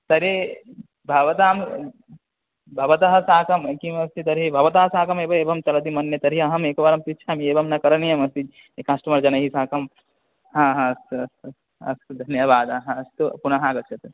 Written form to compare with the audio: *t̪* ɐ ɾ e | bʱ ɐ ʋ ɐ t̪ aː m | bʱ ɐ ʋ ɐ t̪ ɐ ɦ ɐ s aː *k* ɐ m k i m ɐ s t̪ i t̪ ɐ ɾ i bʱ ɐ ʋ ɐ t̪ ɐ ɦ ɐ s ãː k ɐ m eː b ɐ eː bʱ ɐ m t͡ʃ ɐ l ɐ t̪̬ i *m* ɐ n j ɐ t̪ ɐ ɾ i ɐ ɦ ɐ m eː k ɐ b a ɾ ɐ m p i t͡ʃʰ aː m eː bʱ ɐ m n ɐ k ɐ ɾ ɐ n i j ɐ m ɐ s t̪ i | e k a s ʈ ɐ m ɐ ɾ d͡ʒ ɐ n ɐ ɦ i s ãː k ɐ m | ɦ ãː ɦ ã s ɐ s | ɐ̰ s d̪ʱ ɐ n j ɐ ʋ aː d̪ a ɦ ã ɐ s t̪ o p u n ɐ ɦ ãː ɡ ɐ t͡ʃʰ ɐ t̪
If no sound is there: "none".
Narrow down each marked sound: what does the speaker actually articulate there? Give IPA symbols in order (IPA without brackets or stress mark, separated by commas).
t̪, k, m